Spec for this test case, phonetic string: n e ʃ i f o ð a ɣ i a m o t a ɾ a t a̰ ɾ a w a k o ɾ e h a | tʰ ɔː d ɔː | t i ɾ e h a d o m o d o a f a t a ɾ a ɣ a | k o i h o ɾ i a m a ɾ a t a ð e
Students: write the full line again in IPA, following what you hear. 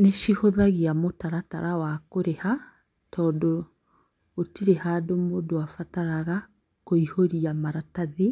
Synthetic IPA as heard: n e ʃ i h o ð a ɣ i a m o t a ɾ a t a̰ ɾ a w a k o ɾ e h a | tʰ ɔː d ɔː | t i ɾ e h a d o m o d o a f a t a ɾ a ɣ a | k o i h o ɾ i a m a ɾ a t a ð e